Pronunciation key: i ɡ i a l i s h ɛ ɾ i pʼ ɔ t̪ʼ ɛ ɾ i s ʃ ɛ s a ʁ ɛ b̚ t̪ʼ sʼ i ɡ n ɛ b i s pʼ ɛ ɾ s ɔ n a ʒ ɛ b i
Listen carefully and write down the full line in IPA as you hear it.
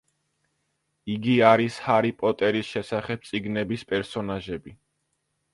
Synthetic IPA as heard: i ɡ i a ɾ i s h a ɾ i pʼ ɔ t̪ʼ ɛ ɾ i s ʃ ɛ s a χ ɛ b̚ t̪ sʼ i ɡ n ɛ b i s pʼ ɛ ɾ s ɔ n a ʒ ɛ b i